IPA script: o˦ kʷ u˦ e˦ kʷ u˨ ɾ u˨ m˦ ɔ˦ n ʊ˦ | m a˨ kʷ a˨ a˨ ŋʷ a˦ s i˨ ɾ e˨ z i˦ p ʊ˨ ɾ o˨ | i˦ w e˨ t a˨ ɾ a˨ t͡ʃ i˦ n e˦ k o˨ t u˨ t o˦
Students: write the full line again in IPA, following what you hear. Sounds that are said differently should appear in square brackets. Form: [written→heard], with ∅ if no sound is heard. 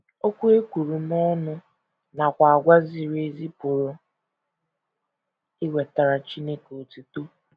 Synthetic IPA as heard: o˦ kʷ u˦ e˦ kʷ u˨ ɾ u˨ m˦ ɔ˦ n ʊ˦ | [m→n] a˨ kʷ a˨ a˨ [ŋʷ→ɡʷ] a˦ [s→z] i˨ ɾ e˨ z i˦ p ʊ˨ ɾ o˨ | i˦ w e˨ t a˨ ɾ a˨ t͡ʃ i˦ n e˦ k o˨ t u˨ t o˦